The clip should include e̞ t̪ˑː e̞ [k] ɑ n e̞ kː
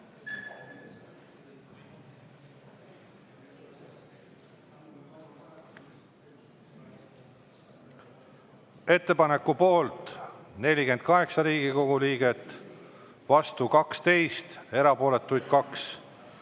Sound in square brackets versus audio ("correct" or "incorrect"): incorrect